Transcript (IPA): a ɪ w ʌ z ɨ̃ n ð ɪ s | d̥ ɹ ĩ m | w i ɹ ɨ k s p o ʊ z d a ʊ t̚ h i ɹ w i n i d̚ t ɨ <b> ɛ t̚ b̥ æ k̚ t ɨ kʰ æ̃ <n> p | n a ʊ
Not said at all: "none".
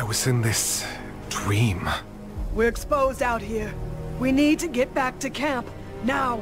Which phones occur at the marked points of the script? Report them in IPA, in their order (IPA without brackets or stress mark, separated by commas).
ɡ, m